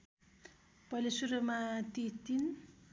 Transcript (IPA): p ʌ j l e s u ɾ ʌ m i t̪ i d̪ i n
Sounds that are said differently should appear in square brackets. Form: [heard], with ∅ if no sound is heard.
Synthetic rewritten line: p ʌ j l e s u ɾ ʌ m [a] t̪ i [t̪] i n

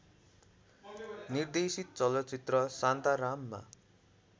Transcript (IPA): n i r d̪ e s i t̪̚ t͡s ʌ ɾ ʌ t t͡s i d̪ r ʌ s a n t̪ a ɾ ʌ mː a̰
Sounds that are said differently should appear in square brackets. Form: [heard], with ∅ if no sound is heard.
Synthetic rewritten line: n i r d̪ e s i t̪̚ t͡s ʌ [l] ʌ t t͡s i [t̪] r ʌ s a n t̪ a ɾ [a] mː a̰

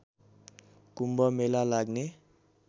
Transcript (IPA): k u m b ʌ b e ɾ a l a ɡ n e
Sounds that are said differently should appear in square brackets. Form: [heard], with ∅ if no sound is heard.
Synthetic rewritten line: k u m b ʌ [m] e [l] a l a ɡ n e

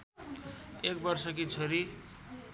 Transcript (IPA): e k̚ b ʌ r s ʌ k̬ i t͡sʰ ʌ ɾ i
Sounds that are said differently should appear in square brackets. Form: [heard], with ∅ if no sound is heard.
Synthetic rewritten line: e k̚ b ʌ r s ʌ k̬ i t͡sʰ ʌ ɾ i

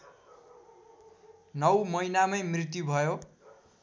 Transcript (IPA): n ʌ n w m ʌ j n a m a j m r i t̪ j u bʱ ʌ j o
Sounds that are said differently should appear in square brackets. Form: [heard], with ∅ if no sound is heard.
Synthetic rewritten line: n ʌ [∅] w m ʌ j n a m [ʌ] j m r i t̪ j u bʱ ʌ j o

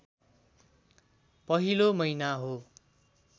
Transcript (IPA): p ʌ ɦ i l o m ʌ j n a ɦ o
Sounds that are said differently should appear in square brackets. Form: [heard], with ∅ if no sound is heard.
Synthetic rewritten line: p ʌ ɦ i l o m ʌ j n a ɦ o

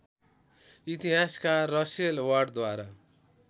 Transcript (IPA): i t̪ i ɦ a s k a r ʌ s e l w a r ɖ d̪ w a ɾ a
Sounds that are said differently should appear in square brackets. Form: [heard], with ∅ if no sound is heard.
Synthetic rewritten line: i t̪ i ɦ a s k a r ʌ s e l w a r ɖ d̪ w a ɾ a

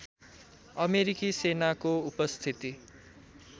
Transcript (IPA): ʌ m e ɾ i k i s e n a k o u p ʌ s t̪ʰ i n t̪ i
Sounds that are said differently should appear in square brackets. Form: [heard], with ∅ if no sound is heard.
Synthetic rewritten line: ʌ m e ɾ i k i s e n a k o u p ʌ s t̪ʰ i [∅] t̪ i

